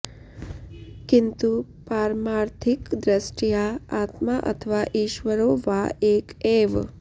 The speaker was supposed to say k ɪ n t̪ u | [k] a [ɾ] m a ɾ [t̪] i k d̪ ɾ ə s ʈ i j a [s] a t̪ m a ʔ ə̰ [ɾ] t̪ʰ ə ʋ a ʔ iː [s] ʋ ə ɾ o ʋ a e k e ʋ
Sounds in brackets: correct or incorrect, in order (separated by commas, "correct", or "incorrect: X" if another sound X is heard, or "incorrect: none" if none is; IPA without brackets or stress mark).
incorrect: p, correct, incorrect: t̪ʰ, incorrect: none, incorrect: none, incorrect: ʃ